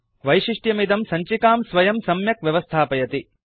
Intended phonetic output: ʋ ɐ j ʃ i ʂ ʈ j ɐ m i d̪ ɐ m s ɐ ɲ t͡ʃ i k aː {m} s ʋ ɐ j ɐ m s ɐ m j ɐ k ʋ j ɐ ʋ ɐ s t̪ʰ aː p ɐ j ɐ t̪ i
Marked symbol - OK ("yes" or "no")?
yes